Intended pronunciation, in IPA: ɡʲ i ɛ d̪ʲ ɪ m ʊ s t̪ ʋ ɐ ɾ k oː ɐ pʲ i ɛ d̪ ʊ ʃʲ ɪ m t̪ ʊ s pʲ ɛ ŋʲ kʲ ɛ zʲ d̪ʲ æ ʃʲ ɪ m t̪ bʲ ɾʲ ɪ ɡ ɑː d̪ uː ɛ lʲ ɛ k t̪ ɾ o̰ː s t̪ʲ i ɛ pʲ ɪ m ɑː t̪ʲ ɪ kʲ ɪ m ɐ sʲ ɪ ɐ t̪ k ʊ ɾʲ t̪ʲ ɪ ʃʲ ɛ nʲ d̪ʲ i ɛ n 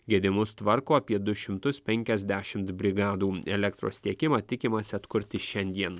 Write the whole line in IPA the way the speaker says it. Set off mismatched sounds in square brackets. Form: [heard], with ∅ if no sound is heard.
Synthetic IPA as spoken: ɡʲ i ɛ d̪ʲ ɪ m ʊ s t̪ ʋ ɐ ɾ k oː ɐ pʲ i ɛ d̪ ʊ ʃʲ ɪ m t̪ ʊ s pʲ ɛ ŋʲ kʲ ɛ zʲ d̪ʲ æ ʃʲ ɪ m t̪ bʲ ɾʲ ɪ ɡ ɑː d̪ uː ɛ lʲ ɛ k t̪ ɾ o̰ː s t̪ʲ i ɛ [kʲ] ɪ m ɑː t̪ʲ ɪ kʲ ɪ m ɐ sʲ ɪ ɐ t̪ k ʊ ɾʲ t̪ʲ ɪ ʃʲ ɛ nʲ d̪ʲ i ɛ n